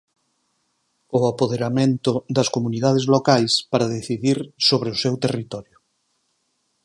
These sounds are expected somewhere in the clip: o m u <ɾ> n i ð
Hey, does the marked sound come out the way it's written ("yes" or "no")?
no